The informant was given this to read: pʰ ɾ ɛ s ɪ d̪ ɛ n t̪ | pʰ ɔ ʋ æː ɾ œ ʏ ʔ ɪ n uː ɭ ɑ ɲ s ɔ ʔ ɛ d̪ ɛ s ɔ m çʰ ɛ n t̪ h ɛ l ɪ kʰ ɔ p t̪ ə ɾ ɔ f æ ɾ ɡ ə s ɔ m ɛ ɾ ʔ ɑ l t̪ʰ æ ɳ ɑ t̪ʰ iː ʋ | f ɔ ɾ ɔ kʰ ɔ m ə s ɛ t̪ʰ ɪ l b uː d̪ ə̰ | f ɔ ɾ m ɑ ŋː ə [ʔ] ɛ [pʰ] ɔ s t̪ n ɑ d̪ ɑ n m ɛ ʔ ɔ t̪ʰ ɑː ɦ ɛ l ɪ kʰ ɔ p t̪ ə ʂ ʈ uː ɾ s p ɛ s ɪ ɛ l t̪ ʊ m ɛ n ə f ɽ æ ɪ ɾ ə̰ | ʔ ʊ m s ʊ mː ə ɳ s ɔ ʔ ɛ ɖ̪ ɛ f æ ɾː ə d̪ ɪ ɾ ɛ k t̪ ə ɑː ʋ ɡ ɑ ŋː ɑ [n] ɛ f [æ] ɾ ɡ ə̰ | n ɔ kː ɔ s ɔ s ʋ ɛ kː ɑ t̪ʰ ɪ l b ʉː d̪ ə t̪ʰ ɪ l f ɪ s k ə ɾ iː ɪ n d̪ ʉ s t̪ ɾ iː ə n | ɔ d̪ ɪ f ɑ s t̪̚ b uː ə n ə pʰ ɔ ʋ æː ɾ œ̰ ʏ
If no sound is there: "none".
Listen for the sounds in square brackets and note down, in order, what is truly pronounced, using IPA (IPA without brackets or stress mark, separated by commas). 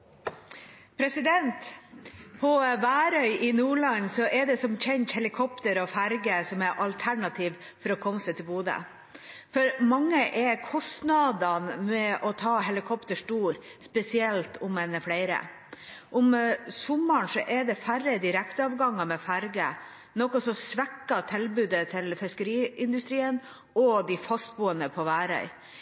ʔ, kʰ, m, æ